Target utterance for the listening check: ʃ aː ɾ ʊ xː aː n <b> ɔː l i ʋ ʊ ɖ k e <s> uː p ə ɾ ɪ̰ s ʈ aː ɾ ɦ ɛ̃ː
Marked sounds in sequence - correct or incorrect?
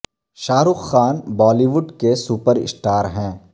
correct, correct

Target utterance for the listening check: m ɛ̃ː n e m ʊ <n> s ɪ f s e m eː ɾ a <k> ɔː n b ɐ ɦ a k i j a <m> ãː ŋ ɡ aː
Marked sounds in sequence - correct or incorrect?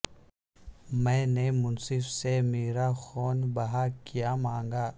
correct, incorrect: x, correct

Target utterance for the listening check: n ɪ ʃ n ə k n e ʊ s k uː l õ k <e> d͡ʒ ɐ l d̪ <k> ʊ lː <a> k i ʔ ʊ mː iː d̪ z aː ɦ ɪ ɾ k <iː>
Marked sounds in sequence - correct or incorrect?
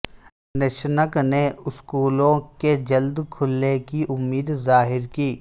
correct, incorrect: kʰ, incorrect: e, correct

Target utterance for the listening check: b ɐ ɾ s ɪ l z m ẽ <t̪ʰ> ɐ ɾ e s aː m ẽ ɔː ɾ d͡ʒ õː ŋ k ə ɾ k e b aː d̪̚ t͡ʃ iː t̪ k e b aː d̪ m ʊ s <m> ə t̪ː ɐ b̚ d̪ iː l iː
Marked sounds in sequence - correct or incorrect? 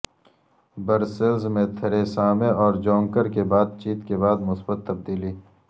correct, incorrect: b

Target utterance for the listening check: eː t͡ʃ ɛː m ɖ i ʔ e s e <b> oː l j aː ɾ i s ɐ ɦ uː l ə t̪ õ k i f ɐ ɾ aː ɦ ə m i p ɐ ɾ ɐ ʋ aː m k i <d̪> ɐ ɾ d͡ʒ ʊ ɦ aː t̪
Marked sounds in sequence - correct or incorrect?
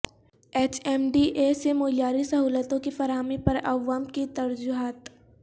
incorrect: m, incorrect: t̪

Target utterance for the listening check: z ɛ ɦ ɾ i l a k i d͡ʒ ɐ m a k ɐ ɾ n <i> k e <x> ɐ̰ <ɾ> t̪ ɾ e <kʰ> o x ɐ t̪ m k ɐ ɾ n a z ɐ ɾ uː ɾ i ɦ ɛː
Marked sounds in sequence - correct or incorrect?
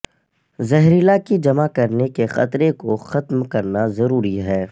incorrect: e, correct, incorrect: none, incorrect: k

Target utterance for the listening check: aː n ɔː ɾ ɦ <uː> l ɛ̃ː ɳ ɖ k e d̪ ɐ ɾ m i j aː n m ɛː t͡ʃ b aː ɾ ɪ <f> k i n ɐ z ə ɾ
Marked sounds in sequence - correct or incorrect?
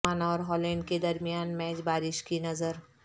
incorrect: ɔː, incorrect: ʃ

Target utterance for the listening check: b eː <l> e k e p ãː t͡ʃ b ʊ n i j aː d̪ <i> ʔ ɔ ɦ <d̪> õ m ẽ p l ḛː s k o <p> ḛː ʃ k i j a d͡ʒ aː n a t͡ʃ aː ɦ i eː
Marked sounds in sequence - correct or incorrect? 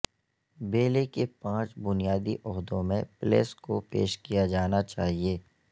correct, correct, correct, correct

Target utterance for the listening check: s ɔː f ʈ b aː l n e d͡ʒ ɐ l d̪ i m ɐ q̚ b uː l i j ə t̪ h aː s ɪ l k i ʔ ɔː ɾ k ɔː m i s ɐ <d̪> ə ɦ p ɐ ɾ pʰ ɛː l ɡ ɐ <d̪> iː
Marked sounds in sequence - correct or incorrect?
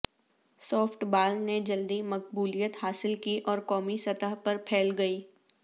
incorrect: t̪, incorrect: none

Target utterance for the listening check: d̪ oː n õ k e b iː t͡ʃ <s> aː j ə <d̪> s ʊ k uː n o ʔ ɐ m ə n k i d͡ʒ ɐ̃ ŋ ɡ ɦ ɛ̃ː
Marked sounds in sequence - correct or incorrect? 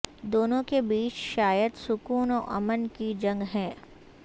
incorrect: ʃ, correct

